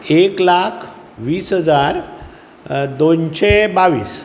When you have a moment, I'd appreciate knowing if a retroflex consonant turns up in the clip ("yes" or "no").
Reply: no